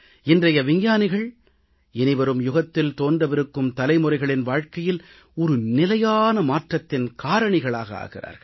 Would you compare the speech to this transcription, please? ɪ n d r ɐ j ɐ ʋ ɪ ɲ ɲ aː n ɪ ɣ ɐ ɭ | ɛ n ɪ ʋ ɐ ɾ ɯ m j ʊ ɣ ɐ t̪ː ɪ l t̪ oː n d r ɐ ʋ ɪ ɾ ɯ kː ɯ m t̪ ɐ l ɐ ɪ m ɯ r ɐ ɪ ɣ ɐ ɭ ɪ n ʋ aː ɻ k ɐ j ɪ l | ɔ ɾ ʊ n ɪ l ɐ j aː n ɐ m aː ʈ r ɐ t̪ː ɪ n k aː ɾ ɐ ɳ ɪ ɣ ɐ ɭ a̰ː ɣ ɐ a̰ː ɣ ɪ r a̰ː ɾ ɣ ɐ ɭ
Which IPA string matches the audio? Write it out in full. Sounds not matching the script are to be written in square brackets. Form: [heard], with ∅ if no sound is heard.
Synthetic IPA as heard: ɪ n d r ɐ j ɐ ʋ ɪ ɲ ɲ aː n ɪ ɣ ɐ ɭ | ɛ n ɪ ʋ ɐ ɾ ɯ m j ʊ ɣ ɐ t̪ː ɪ l t̪ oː n d r ɐ ʋ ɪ ɾ ɯ kː ɯ m t̪ ɐ l ɐ ɪ m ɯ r ɐ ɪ ɣ ɐ ɭ ɪ n ʋ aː ɻ k ɐ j ɪ l | ɔ ɾ [ɯ] n ɪ l ɐ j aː n ɐ m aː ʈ r ɐ t̪ː ɪ n k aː ɾ ɐ ɳ ɪ ɣ ɐ ɭ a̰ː ɣ ɐ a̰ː ɣ ɪ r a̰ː ɾ ɣ ɐ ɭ